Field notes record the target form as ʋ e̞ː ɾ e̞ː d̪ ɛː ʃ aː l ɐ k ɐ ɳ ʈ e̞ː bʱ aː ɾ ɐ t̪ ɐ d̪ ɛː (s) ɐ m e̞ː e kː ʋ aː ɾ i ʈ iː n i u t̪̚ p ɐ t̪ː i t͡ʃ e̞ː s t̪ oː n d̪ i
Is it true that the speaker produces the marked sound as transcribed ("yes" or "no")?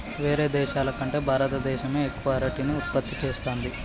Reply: no